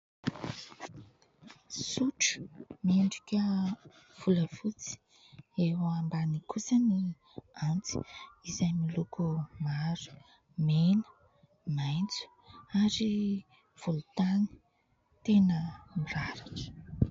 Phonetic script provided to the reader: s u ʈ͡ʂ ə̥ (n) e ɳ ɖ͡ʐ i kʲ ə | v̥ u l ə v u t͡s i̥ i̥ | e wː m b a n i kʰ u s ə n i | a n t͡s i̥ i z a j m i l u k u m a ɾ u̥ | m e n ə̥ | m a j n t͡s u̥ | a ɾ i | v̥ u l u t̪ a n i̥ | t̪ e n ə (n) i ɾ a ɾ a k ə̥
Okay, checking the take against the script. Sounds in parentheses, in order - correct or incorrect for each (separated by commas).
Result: incorrect, incorrect